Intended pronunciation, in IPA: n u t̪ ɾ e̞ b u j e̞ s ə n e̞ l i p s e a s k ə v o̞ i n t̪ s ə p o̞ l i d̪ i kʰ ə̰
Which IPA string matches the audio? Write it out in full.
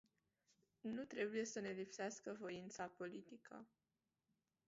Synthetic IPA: n u t̪ ɾ e̞ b u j e̞ s ə n e̞ l i p s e a s k ə v o̞ i n t̪ s a p o̞ l i t̪ i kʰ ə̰

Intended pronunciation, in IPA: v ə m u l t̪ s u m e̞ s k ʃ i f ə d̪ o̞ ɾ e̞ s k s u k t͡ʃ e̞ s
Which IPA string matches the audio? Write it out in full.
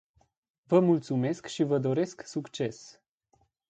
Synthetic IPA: v ə m u l t̪ s u m e̞ s k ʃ i v ə d̪ o̞ ɾ e̞ s k s u k t͡ʃ e̞ s

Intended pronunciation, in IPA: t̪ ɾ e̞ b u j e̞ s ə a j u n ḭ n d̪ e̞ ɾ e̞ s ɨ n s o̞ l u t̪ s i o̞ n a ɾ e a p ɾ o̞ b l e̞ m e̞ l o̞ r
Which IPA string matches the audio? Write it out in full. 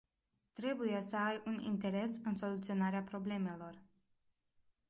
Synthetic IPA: t̪ ɾ e̞ b u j e̞ s ə a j u n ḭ n t̪ e̞ ɾ e̞ s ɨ n s o̞ l u t̪ s i o̞ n a ɾ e a p ɾ o̞ b l e̞ m e̞ l o̞ r

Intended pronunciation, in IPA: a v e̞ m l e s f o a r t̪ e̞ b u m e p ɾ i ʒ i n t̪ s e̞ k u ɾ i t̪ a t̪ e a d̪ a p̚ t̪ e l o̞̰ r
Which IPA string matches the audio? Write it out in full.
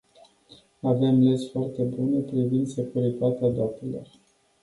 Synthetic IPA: a v e̞ m l e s f o a r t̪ e̞ b u n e p ɾ i v i n d̪ s e̞ k u ɾ i t̪ a t̪ e a d̪ a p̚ t̪ e l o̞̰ r

